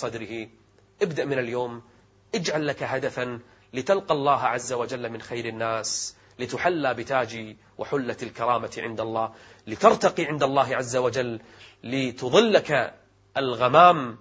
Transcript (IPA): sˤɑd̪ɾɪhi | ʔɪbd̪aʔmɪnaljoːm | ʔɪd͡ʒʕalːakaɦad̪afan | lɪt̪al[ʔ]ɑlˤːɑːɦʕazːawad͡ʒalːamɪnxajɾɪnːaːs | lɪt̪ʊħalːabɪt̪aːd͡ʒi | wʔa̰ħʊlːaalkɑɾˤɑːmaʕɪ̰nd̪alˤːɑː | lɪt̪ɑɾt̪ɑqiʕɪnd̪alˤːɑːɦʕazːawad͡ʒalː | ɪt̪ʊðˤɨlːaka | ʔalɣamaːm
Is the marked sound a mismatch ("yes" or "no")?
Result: yes